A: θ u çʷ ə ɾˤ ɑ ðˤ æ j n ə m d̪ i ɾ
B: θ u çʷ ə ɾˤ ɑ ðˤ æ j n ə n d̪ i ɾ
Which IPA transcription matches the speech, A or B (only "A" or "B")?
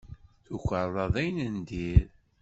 B